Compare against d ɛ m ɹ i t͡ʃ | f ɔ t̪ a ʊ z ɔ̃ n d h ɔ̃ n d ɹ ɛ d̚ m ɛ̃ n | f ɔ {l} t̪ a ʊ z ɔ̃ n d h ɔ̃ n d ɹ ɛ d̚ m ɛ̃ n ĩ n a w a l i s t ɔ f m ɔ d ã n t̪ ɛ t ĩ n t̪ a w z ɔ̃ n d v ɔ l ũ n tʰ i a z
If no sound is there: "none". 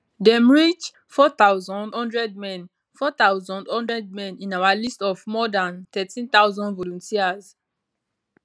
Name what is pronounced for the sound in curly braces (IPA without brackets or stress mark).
none